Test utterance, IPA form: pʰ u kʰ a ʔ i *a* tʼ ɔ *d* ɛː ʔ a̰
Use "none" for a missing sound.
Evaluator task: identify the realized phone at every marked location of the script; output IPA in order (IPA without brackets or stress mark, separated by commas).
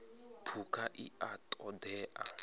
a, d